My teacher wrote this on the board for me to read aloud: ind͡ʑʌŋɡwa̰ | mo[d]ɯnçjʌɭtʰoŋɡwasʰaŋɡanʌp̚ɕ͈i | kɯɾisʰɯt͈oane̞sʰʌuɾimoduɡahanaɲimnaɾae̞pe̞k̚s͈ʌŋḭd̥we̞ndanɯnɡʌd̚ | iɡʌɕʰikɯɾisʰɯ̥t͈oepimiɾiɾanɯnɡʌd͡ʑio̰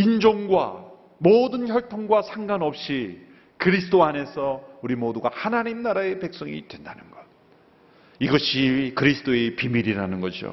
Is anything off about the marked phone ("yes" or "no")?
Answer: no